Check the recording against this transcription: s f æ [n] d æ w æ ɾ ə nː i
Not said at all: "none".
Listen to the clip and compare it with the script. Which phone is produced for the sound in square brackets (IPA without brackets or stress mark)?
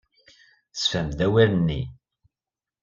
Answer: m